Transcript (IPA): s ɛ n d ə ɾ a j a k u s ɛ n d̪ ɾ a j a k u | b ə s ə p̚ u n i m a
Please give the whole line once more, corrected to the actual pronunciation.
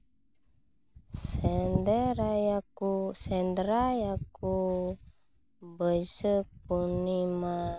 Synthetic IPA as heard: s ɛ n d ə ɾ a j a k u s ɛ n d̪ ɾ a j a k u | b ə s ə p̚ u n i m a